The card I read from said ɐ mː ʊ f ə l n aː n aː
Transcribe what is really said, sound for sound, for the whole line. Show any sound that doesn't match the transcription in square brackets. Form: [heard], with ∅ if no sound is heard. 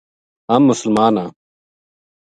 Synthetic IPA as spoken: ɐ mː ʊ [s] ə l [m] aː n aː